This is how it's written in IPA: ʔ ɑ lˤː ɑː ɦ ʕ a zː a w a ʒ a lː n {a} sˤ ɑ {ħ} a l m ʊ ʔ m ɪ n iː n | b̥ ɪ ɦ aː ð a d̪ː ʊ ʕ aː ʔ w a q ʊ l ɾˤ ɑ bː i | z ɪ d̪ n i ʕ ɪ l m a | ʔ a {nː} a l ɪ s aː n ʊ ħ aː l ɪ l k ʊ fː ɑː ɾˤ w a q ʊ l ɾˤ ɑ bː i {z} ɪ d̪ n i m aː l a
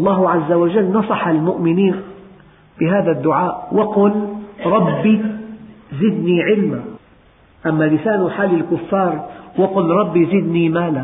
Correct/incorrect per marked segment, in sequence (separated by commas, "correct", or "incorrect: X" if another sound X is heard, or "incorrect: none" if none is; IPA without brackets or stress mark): incorrect: ɑ, correct, incorrect: mː, correct